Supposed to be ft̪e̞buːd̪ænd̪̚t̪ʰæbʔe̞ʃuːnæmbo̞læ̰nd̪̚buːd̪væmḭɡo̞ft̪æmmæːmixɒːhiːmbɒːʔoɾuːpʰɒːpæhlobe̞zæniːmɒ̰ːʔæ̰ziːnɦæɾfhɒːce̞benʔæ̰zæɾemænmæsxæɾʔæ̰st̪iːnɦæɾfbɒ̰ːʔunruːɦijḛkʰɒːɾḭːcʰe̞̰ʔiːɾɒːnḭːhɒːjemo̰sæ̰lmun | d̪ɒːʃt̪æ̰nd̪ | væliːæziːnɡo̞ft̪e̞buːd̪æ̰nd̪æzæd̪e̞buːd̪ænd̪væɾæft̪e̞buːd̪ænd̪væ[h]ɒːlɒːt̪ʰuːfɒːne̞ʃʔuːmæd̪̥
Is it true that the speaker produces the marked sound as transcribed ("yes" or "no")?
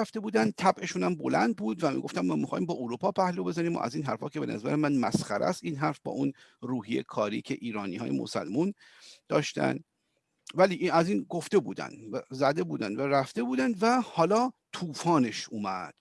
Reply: yes